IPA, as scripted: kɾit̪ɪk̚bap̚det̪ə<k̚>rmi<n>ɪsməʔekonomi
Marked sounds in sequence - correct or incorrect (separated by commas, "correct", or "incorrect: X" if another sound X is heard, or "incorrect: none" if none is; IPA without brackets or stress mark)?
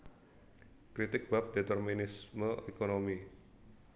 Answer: incorrect: none, correct